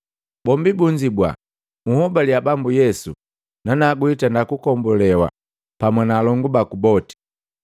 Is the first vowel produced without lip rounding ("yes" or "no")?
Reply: no